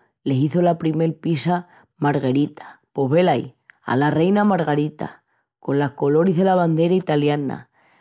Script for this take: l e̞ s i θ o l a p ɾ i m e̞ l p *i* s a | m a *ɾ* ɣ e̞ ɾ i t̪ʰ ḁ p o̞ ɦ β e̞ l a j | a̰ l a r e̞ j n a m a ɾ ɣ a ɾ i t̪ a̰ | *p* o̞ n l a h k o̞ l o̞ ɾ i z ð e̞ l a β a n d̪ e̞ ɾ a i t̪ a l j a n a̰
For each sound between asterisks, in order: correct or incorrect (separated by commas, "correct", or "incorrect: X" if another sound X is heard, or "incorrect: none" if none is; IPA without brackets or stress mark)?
correct, correct, incorrect: k